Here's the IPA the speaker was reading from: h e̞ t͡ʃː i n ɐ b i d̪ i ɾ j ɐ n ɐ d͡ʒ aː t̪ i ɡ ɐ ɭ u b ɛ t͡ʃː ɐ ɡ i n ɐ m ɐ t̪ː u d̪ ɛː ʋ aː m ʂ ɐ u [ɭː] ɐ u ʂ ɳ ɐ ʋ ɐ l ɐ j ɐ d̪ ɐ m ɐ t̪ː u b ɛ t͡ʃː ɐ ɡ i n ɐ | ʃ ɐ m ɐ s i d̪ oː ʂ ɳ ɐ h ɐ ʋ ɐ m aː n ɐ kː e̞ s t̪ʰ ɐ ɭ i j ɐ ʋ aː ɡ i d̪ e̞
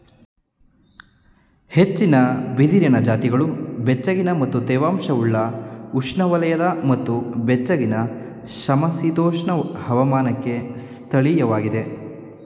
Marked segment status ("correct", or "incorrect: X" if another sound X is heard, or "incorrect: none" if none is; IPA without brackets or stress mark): correct